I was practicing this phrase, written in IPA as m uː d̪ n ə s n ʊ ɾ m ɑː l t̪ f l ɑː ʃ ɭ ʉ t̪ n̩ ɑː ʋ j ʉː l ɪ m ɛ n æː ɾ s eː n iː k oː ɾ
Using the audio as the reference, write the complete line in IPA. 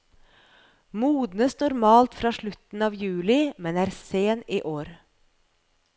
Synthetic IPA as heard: m uː d̪ n ə s n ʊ ɾ m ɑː l t̪ f ɾ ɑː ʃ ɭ ʉ t̪ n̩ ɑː ʋ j ʉː l ɪ m ɛ n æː ɾ s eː n iː ʔ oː ɾ

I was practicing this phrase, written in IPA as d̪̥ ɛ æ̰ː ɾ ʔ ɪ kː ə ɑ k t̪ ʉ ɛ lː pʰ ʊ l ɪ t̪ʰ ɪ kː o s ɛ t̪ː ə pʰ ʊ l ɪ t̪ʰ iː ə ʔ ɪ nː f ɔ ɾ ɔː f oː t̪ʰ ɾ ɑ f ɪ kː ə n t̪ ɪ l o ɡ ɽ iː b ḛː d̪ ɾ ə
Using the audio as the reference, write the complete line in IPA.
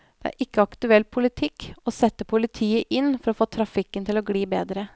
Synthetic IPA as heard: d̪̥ ɛ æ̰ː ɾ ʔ ɪ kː ə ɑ k t̪ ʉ ɛ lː pʰ ʊ l ɪ t̪ʰ ɪ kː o s ɛ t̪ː ə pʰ ʊ l ɪ t̪ʰ iː ə ʔ ɪ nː f ɔ ɾ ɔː f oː t̪ʰ ɾ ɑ f ɪ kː ə n t̪ ɪ l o ɡ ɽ iː b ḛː d̪ ɾ ə

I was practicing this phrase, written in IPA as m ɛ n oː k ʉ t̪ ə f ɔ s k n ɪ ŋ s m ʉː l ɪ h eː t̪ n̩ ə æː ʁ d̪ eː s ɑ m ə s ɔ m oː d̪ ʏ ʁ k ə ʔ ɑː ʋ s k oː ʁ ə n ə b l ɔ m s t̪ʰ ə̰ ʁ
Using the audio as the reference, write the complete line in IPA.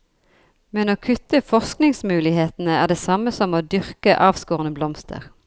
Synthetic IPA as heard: m ɛ n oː kʰ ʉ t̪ ə f ɔ s k n ɪ ŋ s m ʉː l ɪ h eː t̪ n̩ ə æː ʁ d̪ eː s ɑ m ə s ɔ m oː d̪ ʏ ʁ k ə ʔ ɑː ʋ s k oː ʁ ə n ə b l ɔ m s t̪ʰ ə̰ ʁ

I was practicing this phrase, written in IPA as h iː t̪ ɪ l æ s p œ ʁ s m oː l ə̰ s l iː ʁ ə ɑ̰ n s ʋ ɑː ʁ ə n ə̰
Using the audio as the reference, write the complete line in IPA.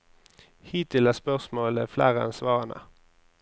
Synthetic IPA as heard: h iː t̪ ɪ l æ s p œ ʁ s m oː l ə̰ f l æː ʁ ə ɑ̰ n s ʋ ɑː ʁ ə n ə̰

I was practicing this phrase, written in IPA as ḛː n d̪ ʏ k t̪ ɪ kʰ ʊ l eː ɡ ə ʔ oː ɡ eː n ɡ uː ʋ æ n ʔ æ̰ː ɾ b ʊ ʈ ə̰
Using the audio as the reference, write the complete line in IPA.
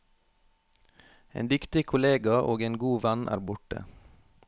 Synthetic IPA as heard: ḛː n d̪ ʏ k t̪ ɪ kʰ ʊ l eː ɡ ɑ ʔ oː ɡ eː n ɡ uː ʋ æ n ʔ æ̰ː ɾ b ʊ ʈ ə̰

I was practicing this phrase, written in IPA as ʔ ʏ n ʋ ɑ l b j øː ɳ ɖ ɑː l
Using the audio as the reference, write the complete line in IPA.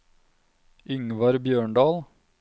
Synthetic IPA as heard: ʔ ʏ ŋ ʋ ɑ ɾ b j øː ɳ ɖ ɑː l

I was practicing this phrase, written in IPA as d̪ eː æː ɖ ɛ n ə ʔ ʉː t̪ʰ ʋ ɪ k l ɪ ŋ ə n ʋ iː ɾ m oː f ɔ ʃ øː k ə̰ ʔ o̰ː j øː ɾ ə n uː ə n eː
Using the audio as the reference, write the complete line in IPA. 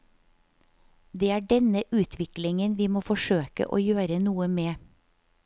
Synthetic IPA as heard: d̪ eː æː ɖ ɛ n ə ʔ ʉː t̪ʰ ʋ ɪ k l ɪ ŋ ə n ʋ iː m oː f ɔ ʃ øː k ə̰ ʔ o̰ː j øː ɾ ə n uː ə m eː

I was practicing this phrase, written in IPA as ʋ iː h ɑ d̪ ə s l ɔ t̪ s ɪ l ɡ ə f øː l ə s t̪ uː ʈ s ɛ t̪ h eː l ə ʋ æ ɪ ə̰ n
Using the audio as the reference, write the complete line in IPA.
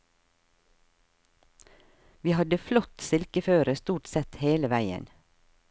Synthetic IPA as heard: ʋ iː h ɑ d̪ ə f l ɔ t̪ s ɪ l k ə f øː ɾ ə s t̪ uː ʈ s ɛ t̪ h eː l ə ʋ æ ɪ ə̰ n

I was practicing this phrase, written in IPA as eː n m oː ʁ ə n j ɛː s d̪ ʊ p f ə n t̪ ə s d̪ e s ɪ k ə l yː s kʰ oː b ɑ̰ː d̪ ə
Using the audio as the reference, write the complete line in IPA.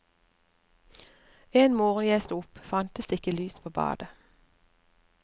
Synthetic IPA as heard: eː n m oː ʁ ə n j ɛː s t̪ ʊ p f ɑ n t̪ ə s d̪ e ɪ k ə l yː s pʰ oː b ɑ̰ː d̪ ə

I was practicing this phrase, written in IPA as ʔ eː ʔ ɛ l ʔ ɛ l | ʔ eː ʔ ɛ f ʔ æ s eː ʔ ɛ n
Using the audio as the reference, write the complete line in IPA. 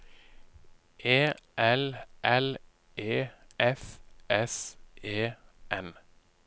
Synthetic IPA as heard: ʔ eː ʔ ɛ l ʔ ɛ l | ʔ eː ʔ ɛ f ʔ ɛ s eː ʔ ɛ n

